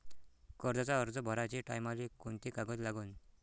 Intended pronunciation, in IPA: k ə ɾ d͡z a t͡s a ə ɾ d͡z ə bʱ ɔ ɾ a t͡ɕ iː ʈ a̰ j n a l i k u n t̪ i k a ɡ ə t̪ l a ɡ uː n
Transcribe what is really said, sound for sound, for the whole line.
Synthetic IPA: k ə ɾ d͡z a t͡s a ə ɾ d͡z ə bʱ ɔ ɾ a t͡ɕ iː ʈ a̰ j m a l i k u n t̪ i k a ɡ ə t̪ l a ɡ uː n